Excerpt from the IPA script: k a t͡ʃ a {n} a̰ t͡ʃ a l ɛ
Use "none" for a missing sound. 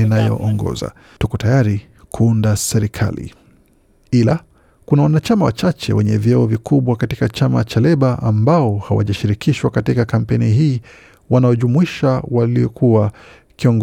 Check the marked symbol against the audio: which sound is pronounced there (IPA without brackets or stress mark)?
m